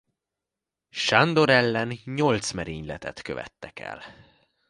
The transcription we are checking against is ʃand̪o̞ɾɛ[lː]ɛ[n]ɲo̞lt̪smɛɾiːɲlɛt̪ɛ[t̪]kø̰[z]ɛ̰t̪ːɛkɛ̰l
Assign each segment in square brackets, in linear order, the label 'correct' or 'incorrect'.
correct, correct, correct, incorrect

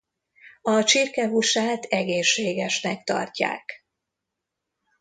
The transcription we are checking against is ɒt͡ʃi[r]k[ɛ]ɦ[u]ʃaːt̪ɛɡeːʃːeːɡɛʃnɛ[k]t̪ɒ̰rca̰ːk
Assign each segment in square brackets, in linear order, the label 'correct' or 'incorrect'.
correct, correct, correct, correct

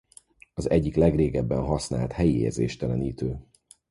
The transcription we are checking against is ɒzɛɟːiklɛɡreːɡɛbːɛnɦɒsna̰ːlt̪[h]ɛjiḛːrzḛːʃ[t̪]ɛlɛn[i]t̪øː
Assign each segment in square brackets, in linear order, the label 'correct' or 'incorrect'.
correct, correct, incorrect

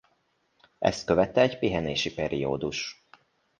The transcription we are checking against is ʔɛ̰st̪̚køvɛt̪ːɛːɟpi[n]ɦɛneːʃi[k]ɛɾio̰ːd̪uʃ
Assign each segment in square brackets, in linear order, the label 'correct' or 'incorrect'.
incorrect, incorrect

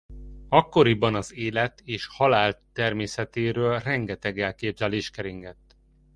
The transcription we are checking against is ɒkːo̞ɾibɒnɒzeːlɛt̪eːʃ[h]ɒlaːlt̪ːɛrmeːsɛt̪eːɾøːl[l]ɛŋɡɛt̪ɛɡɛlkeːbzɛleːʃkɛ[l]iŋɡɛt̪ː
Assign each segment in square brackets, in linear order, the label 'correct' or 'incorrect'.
correct, incorrect, incorrect

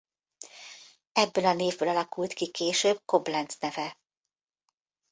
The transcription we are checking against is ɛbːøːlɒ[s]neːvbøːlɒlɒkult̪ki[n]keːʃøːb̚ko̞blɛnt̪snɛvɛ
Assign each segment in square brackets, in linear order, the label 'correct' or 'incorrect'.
incorrect, incorrect

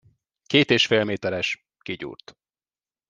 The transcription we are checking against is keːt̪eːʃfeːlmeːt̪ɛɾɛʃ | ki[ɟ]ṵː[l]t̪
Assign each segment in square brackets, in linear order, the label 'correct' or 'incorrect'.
correct, incorrect

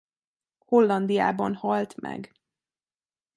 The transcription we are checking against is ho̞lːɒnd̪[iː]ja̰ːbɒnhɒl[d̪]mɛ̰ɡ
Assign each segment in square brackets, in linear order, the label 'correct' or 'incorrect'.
incorrect, incorrect

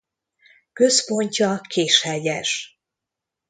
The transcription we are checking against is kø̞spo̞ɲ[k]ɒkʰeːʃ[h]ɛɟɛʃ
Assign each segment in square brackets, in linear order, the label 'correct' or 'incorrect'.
incorrect, correct

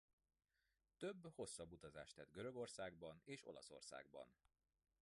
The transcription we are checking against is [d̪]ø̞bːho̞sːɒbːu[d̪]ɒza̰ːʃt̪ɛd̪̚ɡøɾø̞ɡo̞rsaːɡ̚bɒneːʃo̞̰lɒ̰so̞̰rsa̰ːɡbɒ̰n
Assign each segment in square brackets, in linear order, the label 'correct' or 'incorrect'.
incorrect, incorrect

